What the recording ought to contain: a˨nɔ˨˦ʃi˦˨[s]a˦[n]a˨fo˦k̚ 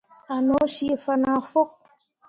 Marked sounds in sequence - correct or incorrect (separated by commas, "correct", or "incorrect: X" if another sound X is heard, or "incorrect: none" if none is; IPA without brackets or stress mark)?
incorrect: f, correct